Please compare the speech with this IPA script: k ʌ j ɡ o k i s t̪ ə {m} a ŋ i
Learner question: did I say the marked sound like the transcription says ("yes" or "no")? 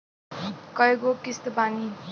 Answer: no